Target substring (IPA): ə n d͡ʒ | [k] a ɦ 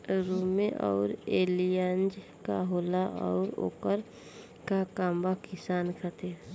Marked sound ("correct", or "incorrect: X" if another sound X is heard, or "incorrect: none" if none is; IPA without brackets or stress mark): correct